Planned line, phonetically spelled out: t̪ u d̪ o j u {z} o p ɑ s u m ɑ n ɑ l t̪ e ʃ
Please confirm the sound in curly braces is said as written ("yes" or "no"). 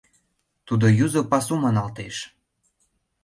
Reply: yes